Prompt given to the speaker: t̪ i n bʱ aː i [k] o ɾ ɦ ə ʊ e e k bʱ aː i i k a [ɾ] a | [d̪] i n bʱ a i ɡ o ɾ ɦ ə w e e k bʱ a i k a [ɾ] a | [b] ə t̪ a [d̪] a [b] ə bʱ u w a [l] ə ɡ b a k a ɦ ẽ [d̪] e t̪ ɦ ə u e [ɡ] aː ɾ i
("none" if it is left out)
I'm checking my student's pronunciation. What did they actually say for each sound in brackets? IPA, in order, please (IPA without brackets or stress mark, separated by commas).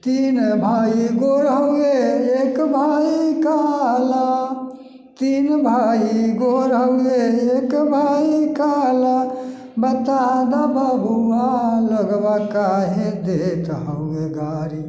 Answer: ɡ, l, t̪, l, b, d̪, b, l, d̪, ɡ